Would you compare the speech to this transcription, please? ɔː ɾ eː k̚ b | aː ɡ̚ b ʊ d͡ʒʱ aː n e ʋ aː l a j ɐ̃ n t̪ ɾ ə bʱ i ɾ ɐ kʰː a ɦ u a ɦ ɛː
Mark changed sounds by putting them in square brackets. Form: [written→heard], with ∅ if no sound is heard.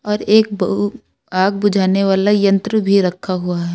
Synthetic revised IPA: ɔː ɾ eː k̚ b | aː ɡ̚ b ʊ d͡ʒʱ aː n e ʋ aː l a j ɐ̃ n t̪ ɾ ə bʱ i ɾ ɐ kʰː a ɦ u a ɦ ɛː